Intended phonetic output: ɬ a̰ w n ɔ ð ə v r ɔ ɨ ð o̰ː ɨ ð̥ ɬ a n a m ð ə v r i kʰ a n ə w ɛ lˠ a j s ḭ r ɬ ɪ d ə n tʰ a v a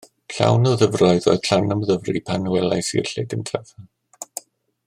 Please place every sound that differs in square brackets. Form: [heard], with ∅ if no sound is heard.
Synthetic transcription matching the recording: ɬ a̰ w n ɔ ð ə v r ɔ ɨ ð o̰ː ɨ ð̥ ɬ a n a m ð ə v r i [pʰ] a n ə w ɛ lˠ a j s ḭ r ɬ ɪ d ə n tʰ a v a